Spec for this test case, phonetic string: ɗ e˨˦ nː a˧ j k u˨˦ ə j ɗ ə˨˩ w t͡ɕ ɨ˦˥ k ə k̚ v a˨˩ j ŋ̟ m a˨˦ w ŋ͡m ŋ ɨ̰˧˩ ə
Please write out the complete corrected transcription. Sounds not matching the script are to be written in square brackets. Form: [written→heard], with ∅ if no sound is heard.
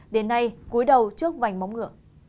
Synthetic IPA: ɗ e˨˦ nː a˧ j k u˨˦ ə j ɗ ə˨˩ w t͡ɕ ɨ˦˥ [k→∅] ə k̚ v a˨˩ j ŋ̟ m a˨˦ w ŋ͡m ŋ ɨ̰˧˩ ə